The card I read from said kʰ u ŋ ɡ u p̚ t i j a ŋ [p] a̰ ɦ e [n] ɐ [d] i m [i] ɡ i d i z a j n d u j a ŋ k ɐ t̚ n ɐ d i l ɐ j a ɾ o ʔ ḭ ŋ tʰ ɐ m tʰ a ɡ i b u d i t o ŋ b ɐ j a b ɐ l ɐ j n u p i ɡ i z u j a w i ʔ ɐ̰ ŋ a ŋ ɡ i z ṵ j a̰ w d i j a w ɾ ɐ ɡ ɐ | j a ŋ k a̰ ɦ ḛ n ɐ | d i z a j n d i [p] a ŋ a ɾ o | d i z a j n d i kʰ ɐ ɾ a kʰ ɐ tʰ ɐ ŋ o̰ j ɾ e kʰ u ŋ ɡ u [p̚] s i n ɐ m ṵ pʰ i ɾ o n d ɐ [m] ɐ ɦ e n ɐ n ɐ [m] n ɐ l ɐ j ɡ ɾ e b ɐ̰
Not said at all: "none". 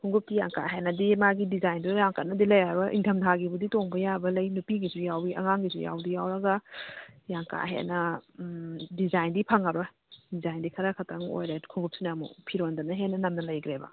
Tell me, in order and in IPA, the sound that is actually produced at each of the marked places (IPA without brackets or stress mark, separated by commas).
k, n, d, a, pʰ, p̚, n, m